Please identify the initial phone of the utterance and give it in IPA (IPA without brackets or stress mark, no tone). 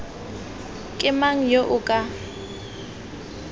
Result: kʼ